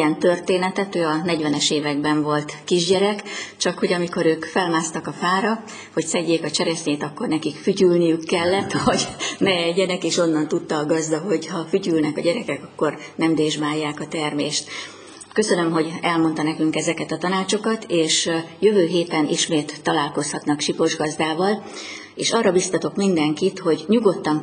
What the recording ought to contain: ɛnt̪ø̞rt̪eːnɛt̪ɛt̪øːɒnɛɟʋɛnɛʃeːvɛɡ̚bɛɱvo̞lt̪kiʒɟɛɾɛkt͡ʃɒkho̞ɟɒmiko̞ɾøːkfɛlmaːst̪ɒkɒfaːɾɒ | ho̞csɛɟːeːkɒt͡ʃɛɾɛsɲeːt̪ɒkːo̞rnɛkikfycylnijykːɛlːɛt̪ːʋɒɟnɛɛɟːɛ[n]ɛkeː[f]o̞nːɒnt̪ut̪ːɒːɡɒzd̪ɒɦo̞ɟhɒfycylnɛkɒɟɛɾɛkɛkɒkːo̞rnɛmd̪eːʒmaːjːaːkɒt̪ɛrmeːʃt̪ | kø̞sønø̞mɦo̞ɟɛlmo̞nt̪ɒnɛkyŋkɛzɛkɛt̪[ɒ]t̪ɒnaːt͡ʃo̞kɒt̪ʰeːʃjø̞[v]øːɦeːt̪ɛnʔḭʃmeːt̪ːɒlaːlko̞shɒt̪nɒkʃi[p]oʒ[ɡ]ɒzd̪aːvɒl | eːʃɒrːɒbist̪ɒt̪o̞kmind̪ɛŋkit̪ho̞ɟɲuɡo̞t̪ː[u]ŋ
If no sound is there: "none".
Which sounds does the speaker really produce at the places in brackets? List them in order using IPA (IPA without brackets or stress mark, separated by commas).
n, ʃ, ɒ, v, p, ɡ, ɒ